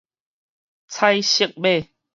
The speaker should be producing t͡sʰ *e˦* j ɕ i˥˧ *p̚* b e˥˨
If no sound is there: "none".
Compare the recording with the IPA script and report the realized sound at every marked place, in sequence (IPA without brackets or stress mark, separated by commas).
a˦, k̚